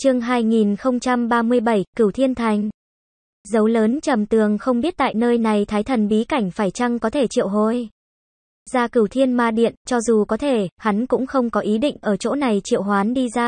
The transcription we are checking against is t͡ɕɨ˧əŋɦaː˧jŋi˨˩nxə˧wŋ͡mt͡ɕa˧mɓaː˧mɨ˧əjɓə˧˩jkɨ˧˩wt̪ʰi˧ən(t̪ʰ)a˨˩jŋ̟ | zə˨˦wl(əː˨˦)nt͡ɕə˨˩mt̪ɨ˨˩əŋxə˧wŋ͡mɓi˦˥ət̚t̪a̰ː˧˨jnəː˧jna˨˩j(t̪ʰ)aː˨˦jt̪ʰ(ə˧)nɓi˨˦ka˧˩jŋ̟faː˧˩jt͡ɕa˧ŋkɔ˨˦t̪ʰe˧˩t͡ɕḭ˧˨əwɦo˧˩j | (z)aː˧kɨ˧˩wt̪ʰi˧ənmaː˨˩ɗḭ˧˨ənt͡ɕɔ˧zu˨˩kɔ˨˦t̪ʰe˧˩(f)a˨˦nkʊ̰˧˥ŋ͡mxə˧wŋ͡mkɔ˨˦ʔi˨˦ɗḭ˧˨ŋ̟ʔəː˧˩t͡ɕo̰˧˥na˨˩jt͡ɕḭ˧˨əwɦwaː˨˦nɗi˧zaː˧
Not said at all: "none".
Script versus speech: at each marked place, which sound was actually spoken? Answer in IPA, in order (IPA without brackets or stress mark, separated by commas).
t̪ʰ, əː˨˦, t̪ʰ, ə˨˩, z, h